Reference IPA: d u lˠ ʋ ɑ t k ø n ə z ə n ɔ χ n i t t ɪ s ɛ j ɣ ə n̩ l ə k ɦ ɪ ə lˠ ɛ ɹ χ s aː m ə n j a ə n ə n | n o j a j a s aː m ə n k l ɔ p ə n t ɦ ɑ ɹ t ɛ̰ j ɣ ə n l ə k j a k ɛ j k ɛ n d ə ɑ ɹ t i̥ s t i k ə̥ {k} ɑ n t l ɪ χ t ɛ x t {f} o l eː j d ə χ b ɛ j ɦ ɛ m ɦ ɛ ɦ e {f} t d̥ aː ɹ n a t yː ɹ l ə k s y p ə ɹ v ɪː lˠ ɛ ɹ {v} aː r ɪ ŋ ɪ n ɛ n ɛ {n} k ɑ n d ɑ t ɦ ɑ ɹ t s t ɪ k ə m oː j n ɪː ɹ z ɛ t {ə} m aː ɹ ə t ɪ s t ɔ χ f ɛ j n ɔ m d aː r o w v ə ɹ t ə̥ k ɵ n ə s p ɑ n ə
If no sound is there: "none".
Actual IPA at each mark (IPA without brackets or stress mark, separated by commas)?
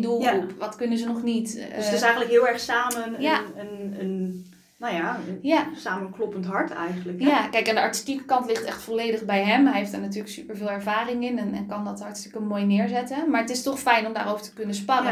k, f, f, v, n, ə